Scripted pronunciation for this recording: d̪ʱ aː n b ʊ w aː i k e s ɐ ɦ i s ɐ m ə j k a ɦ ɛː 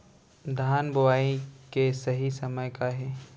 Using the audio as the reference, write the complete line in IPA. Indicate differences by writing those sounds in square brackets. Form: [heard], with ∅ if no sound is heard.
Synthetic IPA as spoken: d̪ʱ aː n b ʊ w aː i k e s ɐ ɦ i s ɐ m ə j k a ɦ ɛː